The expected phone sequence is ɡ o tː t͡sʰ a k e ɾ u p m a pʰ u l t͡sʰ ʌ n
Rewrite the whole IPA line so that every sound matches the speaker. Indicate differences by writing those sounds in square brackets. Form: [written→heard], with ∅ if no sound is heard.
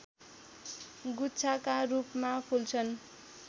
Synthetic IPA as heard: ɡ [o→u] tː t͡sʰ a k [e→a] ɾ u p m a pʰ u l t͡sʰ ʌ n